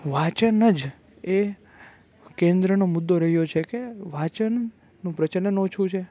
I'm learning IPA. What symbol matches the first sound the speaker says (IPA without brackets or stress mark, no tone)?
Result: ʋ